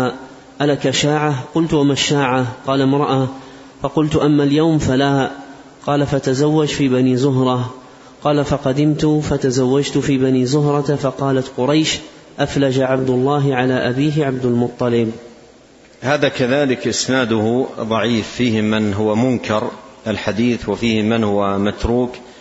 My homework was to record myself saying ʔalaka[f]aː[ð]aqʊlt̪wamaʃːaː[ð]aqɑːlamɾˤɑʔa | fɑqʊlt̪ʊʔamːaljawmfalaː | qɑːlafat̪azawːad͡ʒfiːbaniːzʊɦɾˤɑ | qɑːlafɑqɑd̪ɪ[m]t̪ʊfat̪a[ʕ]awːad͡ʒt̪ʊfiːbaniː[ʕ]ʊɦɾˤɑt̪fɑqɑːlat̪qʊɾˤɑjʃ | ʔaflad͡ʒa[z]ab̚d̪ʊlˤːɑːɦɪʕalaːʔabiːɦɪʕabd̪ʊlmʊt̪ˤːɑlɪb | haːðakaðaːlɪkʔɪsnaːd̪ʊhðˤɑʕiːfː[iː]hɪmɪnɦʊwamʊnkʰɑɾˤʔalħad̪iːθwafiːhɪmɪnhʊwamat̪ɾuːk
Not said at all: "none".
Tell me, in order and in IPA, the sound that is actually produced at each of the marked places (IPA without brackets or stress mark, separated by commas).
ʃ, ʕ, ʕ, m, z, z, ʕ, iː